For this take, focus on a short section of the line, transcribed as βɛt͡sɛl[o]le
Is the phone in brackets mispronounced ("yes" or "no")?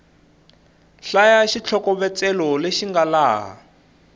yes